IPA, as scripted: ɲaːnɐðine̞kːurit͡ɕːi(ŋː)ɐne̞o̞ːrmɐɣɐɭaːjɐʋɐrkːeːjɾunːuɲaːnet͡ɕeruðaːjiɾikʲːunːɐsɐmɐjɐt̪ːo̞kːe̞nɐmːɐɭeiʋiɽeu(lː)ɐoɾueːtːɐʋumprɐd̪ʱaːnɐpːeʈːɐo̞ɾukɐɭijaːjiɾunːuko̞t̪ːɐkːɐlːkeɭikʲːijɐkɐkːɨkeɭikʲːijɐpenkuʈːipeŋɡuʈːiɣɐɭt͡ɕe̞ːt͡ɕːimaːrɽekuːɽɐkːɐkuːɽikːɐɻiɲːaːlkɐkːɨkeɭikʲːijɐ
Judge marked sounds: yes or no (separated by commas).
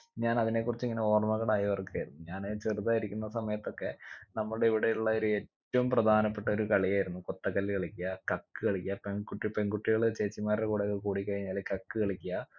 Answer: yes, no